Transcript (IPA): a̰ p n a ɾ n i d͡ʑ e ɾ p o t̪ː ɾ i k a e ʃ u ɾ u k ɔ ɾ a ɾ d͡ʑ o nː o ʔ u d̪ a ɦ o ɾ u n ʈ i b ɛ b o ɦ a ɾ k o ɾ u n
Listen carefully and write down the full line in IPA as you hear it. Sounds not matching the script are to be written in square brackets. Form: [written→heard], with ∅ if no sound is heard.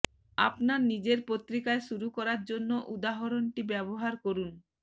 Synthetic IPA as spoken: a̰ p n a ɾ n i d͡ʑ e ɾ p o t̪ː ɾ i k a e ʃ u ɾ u k ɔ ɾ a ɾ d͡ʑ o nː o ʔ u d̪ a ɦ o ɾ [u→o] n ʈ i b ɛ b o ɦ a ɾ k o ɾ u n